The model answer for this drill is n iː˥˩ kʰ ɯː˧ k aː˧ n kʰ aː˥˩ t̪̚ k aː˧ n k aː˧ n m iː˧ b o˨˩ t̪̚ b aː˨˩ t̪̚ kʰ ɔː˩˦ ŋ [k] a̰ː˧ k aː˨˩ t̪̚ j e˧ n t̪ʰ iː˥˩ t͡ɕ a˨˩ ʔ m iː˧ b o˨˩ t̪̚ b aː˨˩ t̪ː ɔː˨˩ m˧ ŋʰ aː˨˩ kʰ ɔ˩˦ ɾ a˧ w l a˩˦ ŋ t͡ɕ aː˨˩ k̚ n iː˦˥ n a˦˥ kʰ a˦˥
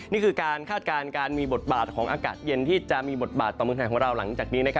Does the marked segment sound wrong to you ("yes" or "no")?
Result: yes